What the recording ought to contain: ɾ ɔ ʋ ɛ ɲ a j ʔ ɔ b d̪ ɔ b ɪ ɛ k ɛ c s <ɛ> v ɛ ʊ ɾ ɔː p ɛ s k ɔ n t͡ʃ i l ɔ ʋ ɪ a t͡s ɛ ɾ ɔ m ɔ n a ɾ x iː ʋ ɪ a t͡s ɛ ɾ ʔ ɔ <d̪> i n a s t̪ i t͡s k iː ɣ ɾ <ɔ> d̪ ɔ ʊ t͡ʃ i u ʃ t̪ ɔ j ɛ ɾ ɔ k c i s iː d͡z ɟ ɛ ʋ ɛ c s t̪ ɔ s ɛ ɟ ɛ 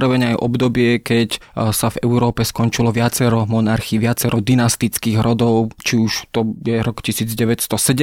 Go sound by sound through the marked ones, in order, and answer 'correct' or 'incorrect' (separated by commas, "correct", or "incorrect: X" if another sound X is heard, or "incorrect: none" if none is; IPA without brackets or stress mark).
incorrect: a, correct, correct